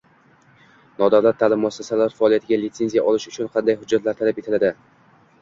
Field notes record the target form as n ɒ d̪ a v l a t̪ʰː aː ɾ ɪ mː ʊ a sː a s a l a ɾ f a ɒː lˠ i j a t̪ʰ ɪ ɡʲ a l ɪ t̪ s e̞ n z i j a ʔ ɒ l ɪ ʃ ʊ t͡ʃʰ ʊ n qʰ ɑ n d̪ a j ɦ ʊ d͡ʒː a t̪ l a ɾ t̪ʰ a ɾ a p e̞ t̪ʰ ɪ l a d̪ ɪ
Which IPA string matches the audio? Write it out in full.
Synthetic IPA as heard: n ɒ d̪ a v l a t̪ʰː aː l ɪ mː ʊ a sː a s a l a ɾ f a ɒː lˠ i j a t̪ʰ ɪ ɡʲ a l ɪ t̪ s e̞ n z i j a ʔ ɒ l ɪ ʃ ʊ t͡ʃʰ ʊ n qʰ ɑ n d̪ a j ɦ ʊ d͡ʒː a t̪ l a ɾ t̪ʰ a l a p e̞ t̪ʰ ɪ l a d̪ ɪ